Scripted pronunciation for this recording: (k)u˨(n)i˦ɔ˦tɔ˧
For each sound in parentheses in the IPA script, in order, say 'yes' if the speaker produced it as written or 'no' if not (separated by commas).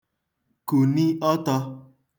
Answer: yes, yes